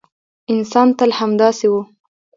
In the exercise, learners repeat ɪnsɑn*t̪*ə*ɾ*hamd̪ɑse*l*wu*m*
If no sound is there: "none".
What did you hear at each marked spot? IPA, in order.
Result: t̪, l, none, none

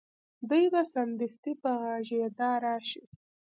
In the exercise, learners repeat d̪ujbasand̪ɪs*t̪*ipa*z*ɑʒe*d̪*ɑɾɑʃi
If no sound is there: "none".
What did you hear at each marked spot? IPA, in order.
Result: t̪, ɣ, d̪

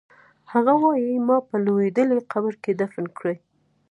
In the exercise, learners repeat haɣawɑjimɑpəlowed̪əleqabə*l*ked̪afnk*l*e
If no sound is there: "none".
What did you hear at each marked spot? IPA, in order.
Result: ɾ, ɽ

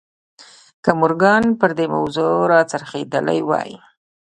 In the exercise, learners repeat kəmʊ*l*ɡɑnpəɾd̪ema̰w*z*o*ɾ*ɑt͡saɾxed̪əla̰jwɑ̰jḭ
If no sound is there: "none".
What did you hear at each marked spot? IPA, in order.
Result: ɾ, z, ɾ

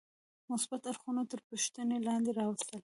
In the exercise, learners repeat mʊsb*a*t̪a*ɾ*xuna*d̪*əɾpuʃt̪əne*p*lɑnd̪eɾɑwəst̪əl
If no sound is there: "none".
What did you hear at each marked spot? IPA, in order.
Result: a, ɾ, t̪, none

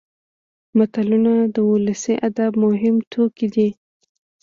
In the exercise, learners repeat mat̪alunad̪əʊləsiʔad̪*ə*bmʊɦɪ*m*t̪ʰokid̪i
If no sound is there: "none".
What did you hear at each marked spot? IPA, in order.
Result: a, m

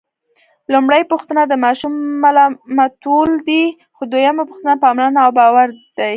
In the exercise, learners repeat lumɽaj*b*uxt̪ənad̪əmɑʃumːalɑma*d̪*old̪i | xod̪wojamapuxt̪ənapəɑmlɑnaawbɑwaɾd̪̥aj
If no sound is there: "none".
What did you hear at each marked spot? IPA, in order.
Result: p, t̪

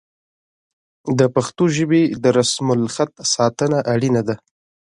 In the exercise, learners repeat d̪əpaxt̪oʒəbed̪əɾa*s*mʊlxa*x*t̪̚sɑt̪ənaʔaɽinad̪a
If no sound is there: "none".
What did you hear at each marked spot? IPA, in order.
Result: s, none

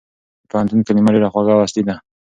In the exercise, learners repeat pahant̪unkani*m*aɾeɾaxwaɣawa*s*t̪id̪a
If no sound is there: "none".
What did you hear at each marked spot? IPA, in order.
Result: m, s

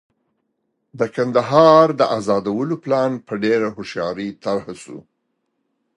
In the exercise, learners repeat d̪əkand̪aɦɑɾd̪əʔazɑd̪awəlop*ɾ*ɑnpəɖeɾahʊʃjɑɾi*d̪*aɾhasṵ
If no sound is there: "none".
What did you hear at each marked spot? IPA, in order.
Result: l, t̪

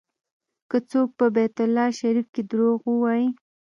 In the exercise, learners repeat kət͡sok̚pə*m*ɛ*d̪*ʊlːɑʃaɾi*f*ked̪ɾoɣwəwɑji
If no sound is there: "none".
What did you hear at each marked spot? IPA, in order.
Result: b, t̪, f

